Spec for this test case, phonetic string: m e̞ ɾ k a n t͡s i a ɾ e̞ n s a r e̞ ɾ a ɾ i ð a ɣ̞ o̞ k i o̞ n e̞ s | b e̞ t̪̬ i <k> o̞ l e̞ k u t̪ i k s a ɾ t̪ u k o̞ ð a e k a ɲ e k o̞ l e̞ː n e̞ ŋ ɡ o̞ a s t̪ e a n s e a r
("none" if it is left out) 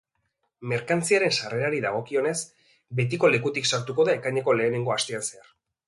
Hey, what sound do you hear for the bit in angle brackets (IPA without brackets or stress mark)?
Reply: k